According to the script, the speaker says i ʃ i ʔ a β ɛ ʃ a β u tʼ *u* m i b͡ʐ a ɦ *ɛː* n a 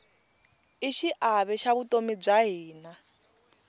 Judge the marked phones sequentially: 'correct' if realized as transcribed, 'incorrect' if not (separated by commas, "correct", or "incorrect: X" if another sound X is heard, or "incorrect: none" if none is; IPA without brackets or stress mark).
incorrect: o, incorrect: iː